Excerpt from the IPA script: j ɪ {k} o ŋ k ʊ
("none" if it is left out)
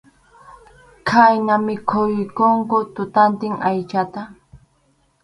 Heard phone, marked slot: k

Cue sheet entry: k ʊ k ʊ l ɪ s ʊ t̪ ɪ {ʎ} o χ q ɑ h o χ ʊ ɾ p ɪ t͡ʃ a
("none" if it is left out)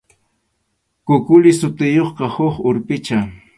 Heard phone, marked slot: j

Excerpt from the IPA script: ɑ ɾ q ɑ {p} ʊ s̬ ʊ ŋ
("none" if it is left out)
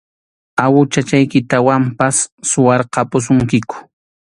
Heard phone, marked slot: p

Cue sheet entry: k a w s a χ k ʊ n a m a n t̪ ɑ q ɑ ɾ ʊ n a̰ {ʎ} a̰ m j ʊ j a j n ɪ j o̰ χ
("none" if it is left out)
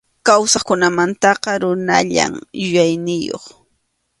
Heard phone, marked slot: ʎ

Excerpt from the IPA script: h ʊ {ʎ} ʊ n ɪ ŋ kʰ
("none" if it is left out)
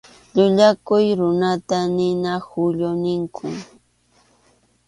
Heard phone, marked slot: ʎ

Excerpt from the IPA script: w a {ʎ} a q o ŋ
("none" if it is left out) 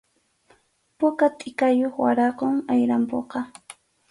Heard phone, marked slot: ɾ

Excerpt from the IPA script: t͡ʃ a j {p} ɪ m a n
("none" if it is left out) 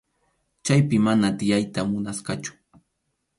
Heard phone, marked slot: p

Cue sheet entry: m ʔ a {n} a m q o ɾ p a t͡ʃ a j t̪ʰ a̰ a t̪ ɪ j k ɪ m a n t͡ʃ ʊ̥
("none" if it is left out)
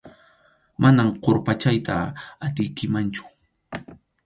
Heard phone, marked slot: n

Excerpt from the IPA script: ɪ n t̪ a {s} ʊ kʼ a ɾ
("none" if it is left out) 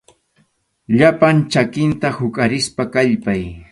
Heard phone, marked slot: h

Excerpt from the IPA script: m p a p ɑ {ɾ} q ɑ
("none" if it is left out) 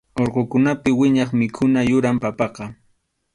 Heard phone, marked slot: none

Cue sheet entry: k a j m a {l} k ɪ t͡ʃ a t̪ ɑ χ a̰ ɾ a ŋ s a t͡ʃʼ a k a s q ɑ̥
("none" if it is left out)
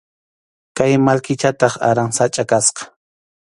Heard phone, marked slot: l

